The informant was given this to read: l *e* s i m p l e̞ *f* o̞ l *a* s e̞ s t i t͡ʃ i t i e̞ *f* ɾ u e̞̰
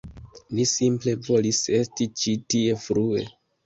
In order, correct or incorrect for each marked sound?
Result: incorrect, incorrect, incorrect, correct

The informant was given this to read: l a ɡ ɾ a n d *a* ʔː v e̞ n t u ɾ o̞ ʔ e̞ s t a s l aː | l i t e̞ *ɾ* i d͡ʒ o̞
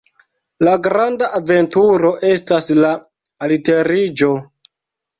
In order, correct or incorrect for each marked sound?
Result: correct, correct

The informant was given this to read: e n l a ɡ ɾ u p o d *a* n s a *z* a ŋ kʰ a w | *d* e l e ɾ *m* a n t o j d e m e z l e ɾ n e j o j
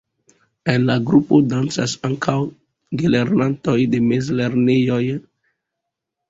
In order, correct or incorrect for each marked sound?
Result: correct, incorrect, incorrect, incorrect

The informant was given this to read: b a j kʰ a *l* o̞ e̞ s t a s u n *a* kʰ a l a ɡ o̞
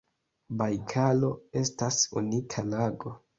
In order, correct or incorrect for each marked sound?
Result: correct, incorrect

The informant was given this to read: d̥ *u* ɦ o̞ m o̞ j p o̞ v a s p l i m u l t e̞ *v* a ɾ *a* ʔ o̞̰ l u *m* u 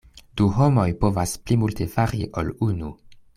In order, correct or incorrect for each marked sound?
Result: correct, incorrect, incorrect, incorrect

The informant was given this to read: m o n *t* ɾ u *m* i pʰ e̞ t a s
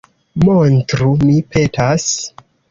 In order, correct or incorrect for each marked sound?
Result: correct, correct

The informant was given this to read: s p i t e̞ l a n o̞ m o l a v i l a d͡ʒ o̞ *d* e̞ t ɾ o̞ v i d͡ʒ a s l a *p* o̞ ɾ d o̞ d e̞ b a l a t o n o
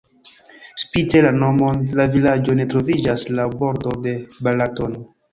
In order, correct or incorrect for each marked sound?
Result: incorrect, incorrect

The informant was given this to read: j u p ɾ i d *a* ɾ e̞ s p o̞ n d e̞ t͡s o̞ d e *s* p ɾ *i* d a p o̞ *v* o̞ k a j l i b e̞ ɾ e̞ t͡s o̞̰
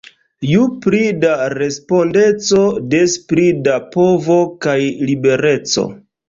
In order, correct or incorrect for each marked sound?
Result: correct, correct, correct, correct

